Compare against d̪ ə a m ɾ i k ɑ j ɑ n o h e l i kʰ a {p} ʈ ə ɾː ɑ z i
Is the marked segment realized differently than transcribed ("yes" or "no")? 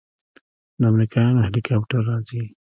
no